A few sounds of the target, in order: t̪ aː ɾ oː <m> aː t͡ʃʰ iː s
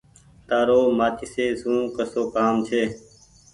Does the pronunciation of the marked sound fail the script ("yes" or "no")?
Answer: no